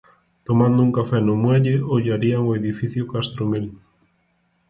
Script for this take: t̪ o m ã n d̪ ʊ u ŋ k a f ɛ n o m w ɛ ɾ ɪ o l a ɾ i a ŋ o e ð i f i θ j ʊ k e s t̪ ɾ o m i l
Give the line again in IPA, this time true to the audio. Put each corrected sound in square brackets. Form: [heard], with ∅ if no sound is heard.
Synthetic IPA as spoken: t̪ o m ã n d̪ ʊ u ŋ k a f ɛ n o m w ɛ [ʎ] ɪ o [ʎ] a ɾ i a ŋ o e ð i f i θ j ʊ k [a] s t̪ ɾ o m i l